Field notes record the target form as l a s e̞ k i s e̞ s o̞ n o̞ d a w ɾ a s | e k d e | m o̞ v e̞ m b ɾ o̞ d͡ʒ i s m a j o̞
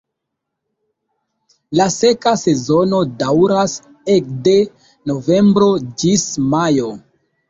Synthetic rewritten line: l a s e̞ k a s e̞ z o̞ n o̞ d a w ɾ a s | e k d e | n o̞ v e̞ m b ɾ o̞ d͡ʒ i s m a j o̞